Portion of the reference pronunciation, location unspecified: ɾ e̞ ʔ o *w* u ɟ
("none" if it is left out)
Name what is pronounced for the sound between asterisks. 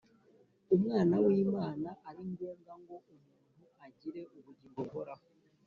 β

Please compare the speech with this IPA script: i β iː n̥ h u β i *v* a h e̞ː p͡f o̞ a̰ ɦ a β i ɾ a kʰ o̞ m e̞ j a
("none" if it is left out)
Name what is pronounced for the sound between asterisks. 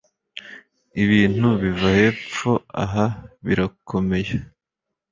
v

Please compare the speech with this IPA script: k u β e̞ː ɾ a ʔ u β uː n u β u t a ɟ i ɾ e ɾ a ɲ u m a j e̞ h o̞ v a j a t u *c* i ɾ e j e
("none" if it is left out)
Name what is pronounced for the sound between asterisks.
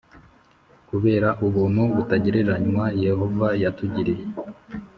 ɟ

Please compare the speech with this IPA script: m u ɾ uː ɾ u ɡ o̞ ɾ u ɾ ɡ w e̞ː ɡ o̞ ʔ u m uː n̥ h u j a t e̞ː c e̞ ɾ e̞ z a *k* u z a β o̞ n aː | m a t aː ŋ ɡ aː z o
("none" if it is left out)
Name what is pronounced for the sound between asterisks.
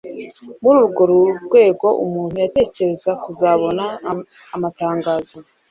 k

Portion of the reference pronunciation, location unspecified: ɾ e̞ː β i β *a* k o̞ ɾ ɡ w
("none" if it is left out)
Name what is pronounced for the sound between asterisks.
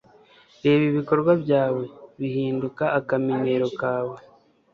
i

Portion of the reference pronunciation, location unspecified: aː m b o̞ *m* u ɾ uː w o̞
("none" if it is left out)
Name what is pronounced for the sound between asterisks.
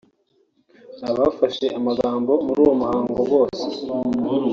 m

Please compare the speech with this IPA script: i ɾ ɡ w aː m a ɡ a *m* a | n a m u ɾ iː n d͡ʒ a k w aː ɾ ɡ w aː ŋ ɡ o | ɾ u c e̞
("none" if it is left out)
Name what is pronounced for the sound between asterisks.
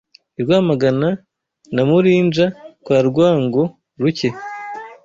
n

